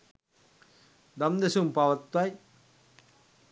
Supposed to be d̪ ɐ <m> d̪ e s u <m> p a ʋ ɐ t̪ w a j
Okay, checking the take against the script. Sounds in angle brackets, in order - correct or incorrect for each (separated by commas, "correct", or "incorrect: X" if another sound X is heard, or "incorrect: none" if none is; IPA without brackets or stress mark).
correct, correct